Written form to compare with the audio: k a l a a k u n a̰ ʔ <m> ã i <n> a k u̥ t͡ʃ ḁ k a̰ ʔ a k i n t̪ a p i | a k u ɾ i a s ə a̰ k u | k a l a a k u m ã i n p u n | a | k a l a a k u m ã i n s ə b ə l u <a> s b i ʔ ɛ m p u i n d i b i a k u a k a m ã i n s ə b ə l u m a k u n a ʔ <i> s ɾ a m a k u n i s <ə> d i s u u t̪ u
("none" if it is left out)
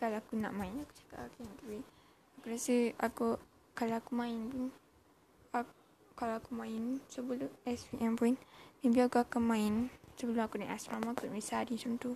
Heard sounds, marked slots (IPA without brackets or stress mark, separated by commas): m, n, ɛ, a, a